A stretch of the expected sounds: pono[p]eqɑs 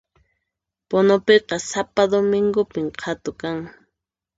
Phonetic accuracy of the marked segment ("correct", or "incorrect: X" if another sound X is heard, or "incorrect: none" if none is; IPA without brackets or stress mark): correct